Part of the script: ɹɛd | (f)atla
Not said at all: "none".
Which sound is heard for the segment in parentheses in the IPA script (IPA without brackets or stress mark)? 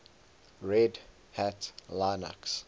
h